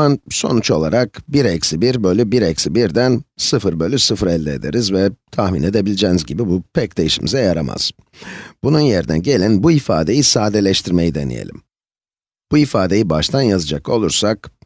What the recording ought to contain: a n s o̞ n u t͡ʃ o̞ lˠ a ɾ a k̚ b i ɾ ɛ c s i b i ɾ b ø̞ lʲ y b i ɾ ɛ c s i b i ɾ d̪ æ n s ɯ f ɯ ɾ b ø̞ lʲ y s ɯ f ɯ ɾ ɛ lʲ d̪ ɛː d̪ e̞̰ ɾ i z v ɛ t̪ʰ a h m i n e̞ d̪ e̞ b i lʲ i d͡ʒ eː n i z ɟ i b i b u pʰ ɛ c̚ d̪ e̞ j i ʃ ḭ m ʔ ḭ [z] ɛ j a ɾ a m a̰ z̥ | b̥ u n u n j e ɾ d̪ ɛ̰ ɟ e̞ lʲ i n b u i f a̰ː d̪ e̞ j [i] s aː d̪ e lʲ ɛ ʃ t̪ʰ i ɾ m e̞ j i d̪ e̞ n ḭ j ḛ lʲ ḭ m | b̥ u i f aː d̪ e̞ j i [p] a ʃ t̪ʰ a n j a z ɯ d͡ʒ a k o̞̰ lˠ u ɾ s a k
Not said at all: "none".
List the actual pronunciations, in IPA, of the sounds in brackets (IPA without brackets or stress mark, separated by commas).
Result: z, i, b